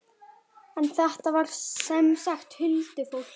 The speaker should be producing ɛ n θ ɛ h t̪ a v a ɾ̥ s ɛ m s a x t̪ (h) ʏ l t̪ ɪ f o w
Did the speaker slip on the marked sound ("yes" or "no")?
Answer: no